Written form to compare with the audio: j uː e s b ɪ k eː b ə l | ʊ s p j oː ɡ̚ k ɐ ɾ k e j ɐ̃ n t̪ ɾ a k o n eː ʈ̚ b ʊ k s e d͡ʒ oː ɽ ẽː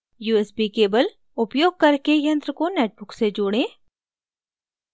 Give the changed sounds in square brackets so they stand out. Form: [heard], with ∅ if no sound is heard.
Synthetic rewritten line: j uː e s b [i] k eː b ə l | ʊ [∅] p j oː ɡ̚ k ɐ ɾ k e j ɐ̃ n t̪ ɾ [ə] k o n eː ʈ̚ b ʊ k s e d͡ʒ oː ɽ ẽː